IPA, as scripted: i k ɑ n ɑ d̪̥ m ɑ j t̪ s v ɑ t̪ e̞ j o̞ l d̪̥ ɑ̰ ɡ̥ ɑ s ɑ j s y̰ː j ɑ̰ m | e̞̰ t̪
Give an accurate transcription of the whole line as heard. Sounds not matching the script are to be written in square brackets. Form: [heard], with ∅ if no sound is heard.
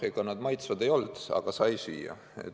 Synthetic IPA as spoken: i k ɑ n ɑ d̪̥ m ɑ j t̪ s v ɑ [d̪] e̞ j o̞ l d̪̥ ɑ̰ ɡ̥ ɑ s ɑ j s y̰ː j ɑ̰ [∅] | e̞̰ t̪